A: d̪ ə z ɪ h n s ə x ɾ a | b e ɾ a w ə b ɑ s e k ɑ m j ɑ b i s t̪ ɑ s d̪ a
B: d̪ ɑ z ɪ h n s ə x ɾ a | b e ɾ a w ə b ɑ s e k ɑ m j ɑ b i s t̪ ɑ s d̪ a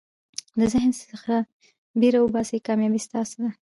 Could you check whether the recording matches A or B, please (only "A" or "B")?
A